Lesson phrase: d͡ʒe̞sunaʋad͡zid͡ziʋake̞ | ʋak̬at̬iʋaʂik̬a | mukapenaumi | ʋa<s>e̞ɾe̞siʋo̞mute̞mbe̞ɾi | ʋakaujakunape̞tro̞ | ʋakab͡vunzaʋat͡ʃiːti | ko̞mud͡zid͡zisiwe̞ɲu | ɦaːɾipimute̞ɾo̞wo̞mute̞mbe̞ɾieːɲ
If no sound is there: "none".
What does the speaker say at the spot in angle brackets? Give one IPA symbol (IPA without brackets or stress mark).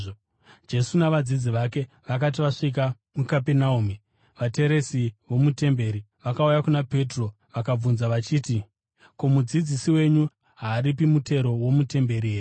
t